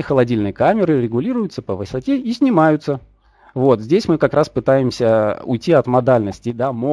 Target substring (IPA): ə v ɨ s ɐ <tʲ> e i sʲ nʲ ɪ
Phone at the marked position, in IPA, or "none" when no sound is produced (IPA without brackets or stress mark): tʲ